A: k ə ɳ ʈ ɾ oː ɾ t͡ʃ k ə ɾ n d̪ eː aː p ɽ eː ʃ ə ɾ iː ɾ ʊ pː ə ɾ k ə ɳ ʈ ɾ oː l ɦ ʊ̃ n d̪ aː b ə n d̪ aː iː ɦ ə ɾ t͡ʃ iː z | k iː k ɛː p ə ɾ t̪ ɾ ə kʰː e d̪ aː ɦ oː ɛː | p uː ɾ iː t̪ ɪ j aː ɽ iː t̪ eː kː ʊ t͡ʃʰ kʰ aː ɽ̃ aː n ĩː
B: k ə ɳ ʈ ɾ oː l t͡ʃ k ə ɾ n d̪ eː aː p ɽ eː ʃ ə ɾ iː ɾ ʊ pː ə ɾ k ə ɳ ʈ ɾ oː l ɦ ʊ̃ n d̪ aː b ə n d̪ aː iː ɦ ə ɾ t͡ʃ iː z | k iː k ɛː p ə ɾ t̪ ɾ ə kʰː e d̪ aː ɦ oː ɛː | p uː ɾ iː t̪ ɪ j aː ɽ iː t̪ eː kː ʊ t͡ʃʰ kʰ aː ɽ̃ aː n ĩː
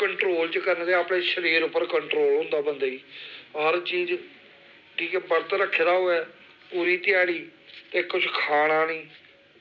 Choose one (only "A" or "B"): B